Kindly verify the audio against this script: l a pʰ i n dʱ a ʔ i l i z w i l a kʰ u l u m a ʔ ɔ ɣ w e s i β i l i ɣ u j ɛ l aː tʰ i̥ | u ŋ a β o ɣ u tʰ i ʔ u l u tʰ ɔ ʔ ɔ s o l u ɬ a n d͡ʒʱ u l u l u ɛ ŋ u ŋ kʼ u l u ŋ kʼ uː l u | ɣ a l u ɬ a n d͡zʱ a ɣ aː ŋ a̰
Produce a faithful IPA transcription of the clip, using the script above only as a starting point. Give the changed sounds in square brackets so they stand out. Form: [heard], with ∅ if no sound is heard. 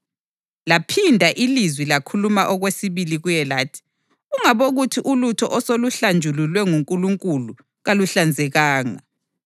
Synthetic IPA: l a pʰ i n dʱ a ʔ i l i z w i l a kʰ u l u m a ʔ ɔ ɣ w e s i β i l i ɣ u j ɛ l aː tʰ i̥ | u ŋ a β o ɣ u tʰ i ʔ u l u tʰ ɔ ʔ ɔ s o l u ɬ a n d͡ʒʱ u l u l [w] ɛ ŋ u ŋ kʼ u l u ŋ kʼ [u] l u | ɣ a l u ɬ a n d͡zʱ [ɛ] ɣ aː ŋ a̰